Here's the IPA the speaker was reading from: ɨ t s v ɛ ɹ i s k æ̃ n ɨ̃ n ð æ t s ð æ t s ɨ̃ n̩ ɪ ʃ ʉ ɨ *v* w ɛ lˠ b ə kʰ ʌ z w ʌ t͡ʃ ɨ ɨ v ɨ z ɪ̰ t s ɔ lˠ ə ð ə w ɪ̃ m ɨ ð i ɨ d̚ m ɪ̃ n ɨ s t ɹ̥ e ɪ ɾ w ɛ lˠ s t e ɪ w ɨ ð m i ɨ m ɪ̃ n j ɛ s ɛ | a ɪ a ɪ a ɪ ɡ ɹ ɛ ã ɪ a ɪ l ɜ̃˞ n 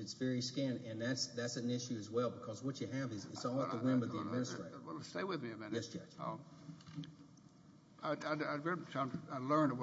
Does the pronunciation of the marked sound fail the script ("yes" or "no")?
yes